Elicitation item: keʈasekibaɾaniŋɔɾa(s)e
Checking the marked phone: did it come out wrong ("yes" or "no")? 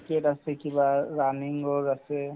no